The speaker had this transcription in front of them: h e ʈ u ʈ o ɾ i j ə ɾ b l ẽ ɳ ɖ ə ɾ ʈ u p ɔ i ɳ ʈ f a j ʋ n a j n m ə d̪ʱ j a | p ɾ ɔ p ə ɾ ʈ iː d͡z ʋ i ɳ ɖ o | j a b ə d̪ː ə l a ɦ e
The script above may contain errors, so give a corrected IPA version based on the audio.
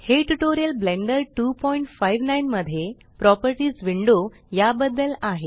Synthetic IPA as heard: h e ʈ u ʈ o ɾ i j ə l b l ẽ ɳ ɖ ə ɾ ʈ u p ɔ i ɳ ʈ f a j ʋ n a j n m ə d̪ʱ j e | p ɾ ɔ p ə ɾ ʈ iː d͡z ʋ i ɳ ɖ o | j a b ə d̪ː ə l a ɦ e